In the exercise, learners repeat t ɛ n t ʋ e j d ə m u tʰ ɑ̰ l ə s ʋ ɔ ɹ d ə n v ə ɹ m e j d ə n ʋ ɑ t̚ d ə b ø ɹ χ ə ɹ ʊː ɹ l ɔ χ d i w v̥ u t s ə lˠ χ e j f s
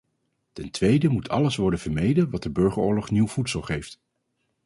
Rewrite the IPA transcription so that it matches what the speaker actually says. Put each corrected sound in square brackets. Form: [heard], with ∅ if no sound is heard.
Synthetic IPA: t ɛ n t ʋ e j d ə m u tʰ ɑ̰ l ə s ʋ ɔ ɹ d ə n v ə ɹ m e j d ə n ʋ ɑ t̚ d ə b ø ɹ χ ə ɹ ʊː ɹ l ɔ χ [n] i w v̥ u t s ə lˠ χ e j f [t]